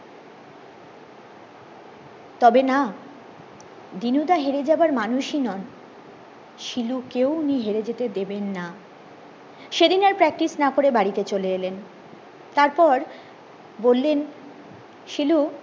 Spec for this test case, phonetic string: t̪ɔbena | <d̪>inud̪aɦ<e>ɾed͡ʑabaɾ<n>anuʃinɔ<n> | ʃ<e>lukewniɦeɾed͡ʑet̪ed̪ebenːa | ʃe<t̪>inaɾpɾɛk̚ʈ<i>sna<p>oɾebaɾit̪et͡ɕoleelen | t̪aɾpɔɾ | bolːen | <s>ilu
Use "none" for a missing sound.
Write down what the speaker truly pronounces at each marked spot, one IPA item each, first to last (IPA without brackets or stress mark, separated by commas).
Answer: d̪, e, m, n, i, d̪, i, k, ʃ